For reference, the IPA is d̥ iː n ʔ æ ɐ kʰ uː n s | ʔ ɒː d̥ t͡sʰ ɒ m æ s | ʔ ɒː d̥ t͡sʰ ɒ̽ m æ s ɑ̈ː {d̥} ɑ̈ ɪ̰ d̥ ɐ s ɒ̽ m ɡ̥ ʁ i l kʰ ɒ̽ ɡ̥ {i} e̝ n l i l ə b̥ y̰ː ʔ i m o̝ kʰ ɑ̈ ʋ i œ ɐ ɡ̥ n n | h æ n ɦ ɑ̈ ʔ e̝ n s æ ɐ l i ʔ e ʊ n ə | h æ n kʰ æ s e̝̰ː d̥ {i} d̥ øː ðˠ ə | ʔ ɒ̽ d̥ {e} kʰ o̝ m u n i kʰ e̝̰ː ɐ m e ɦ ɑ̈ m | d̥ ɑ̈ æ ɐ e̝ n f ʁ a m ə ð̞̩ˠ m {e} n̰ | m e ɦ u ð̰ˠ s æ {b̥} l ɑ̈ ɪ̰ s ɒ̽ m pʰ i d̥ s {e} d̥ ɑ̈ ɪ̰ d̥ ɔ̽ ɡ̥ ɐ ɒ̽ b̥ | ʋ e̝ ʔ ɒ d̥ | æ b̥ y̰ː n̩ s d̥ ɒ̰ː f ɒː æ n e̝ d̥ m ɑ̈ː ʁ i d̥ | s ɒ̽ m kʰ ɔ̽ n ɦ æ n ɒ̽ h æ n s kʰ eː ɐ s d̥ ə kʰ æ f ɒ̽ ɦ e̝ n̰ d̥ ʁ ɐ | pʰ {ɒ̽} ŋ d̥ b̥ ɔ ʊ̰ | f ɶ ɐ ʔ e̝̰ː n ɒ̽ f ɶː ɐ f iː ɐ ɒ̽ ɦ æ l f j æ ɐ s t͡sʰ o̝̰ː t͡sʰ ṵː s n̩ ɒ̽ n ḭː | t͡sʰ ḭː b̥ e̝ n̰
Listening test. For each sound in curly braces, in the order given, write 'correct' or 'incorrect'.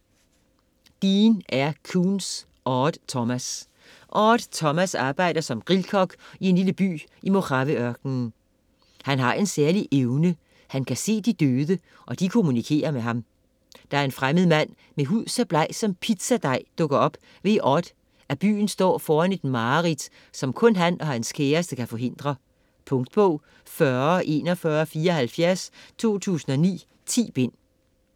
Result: incorrect: b̥, correct, correct, incorrect: i, incorrect: æ, correct, incorrect: æ, incorrect: ɔ̽

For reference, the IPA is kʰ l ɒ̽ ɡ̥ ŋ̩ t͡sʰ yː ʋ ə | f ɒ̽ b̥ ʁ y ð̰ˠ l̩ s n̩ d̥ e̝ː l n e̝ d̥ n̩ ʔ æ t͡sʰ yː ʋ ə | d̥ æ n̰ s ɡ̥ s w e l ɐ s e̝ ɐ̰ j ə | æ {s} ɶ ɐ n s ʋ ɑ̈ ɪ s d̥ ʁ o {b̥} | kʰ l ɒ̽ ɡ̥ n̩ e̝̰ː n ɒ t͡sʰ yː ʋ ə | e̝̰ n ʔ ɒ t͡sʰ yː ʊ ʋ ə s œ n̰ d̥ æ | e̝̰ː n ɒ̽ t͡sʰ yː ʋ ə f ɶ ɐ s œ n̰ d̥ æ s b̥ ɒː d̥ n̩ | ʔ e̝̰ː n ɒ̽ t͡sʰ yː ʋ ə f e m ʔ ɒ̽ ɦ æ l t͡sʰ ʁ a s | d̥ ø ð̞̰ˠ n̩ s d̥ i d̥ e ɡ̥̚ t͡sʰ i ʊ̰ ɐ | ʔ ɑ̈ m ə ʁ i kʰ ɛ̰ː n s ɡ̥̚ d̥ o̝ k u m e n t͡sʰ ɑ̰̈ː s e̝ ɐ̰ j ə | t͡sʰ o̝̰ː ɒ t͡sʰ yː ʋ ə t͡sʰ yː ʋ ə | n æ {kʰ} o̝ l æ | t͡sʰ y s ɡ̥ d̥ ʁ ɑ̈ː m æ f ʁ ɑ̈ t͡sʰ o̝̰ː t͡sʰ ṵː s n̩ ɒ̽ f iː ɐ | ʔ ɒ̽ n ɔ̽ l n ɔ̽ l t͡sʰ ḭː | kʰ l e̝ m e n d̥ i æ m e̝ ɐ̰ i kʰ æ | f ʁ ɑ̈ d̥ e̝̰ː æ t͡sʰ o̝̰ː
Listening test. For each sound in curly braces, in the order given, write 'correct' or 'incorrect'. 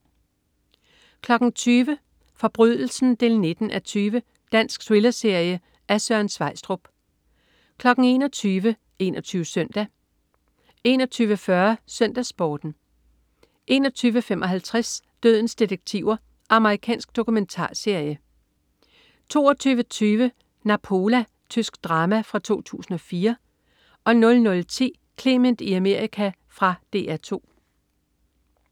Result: correct, correct, incorrect: pʰ

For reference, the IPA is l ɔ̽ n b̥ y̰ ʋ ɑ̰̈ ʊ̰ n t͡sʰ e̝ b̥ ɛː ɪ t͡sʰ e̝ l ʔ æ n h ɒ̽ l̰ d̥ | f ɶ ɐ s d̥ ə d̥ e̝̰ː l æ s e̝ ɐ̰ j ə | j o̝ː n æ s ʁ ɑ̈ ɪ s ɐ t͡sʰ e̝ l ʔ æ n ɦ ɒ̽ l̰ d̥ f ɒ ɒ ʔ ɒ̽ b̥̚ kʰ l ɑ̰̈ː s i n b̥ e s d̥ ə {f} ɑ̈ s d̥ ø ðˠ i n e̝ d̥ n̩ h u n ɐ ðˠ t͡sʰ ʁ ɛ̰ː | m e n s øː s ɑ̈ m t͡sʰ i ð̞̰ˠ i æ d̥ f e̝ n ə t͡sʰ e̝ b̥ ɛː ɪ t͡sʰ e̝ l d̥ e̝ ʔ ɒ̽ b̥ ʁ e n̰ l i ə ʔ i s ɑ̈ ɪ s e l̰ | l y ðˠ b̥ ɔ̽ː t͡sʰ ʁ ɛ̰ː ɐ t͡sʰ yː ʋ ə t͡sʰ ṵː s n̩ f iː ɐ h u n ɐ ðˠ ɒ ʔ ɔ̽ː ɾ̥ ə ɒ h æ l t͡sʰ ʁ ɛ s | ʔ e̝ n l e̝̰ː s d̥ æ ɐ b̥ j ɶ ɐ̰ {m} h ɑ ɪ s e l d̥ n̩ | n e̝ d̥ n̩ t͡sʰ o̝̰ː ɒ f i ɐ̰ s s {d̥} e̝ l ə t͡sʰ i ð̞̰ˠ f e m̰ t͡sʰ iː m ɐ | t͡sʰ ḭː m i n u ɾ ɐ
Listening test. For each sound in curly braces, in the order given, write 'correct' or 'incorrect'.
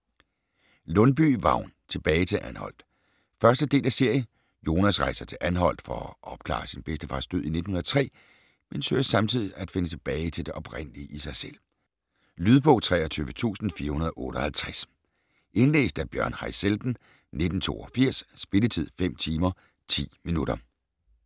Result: correct, incorrect: n, incorrect: b̥

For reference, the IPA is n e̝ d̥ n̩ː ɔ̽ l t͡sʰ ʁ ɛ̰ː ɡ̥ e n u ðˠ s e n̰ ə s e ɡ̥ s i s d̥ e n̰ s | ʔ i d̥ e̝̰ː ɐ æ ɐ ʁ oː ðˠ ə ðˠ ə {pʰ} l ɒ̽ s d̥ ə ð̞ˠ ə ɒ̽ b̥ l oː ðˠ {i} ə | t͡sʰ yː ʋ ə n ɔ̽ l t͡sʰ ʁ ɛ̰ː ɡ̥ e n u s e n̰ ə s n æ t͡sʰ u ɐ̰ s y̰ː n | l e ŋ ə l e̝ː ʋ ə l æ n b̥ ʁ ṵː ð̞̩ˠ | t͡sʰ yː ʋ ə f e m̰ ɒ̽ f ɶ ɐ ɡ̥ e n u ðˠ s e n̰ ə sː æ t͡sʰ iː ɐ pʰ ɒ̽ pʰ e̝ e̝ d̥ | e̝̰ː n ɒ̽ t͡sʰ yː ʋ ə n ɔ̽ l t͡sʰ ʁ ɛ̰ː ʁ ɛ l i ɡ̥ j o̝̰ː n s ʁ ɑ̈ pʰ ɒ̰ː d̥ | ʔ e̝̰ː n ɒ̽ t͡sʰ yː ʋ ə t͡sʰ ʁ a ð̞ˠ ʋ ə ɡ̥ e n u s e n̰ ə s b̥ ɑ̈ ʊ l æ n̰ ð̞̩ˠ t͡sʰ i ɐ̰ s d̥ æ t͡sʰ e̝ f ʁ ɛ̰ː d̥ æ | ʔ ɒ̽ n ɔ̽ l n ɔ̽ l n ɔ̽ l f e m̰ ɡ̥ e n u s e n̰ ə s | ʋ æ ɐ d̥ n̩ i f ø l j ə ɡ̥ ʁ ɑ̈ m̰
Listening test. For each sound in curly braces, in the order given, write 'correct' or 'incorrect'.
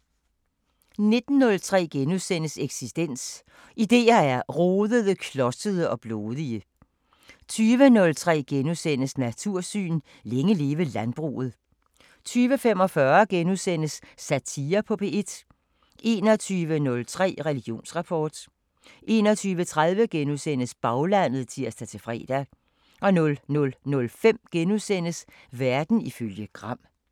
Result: incorrect: kʰ, correct

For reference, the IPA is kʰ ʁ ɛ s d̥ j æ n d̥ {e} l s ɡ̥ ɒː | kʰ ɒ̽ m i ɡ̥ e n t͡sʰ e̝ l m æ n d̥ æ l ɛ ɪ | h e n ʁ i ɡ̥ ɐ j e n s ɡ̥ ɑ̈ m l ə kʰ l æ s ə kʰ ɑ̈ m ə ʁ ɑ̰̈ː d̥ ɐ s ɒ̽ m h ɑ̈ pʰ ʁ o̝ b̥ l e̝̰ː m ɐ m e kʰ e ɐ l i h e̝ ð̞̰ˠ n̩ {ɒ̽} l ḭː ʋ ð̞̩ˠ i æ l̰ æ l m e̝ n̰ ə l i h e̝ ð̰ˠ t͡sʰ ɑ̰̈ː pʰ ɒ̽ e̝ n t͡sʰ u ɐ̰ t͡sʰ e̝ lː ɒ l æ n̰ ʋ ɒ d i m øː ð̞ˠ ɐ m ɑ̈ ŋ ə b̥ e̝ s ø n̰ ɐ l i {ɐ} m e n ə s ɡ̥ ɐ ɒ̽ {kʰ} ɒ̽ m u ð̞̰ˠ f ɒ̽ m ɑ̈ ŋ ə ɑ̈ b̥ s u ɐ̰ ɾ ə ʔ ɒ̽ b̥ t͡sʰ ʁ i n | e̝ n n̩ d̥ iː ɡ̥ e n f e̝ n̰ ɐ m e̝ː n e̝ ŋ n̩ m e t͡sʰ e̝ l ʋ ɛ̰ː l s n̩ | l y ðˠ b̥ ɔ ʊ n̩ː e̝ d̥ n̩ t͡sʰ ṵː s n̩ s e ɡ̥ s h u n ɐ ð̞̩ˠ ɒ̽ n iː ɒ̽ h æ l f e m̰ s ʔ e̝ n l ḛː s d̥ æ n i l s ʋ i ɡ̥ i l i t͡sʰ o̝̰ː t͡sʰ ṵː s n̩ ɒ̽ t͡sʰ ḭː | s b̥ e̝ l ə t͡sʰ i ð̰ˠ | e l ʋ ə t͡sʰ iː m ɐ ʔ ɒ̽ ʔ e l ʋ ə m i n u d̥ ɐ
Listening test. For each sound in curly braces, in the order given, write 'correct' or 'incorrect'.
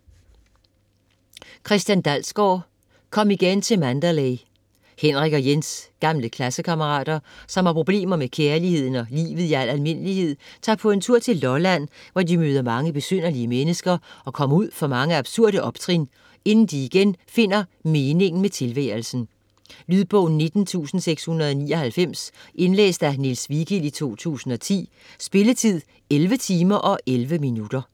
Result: incorrect: æ, correct, incorrect: ə, correct

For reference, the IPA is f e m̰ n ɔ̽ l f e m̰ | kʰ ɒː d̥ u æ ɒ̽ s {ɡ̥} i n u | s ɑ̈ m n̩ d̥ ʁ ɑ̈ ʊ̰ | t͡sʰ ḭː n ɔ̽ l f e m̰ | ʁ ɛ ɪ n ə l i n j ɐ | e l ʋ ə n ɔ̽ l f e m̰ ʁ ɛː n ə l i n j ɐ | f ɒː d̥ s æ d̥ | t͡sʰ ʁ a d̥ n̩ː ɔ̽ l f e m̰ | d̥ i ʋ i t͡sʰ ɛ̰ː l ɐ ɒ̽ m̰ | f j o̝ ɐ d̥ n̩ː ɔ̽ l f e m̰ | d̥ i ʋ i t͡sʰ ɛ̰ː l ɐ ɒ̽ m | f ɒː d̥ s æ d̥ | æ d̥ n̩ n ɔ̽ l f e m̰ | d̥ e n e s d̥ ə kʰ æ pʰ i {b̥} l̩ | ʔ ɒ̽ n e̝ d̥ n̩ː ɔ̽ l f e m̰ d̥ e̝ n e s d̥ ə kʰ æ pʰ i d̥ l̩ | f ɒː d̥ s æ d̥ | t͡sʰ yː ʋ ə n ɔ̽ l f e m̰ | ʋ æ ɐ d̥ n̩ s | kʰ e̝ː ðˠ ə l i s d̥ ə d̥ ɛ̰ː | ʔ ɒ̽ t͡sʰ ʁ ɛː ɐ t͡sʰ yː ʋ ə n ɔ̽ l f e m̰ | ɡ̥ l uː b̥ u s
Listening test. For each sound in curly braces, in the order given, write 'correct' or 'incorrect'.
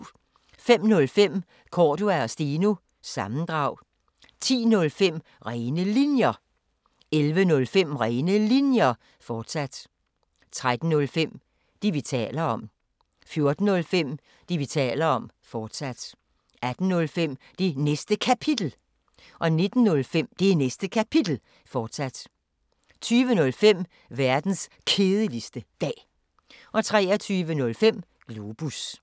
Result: incorrect: d̥, incorrect: d̥

